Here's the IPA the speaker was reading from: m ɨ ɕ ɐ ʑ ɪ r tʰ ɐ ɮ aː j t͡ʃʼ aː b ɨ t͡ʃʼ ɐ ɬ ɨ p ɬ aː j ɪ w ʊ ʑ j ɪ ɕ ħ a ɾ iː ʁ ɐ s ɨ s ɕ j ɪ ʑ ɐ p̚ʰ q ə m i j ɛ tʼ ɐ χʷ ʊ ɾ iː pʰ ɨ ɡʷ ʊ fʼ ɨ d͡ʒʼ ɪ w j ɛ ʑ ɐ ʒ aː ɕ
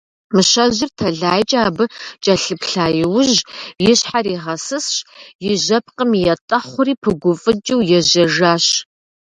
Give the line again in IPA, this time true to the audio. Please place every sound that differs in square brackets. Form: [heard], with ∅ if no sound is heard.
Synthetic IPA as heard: m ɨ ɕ ɐ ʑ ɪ r tʰ ɐ ɮ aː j t͡ʃʼ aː b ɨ t͡ʃʼ ɐ ɬ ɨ p ɬ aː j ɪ w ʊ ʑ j ɪ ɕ ħ a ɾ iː ʁ ɐ s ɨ s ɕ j ɪ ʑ ɐ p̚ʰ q ə m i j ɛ tʼ ɐ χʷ ʊ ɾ iː pʰ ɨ ɡʷ ʊ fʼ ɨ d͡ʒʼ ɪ w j ɛ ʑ ɐ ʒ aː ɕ